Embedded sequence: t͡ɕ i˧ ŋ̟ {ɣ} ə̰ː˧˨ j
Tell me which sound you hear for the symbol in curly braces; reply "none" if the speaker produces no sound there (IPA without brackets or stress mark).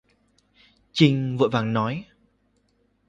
v